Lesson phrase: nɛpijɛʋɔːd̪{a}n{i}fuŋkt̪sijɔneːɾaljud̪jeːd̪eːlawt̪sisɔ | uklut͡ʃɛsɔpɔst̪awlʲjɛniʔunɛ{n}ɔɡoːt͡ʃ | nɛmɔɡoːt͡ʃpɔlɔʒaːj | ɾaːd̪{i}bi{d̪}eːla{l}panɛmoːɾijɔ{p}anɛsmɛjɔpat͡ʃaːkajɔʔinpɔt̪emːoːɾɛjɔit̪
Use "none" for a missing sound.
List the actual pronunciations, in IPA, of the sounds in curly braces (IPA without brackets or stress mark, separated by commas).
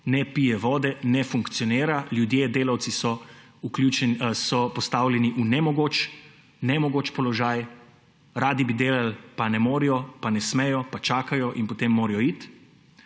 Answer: ɛ, ɛ, m, i, d̪, l, p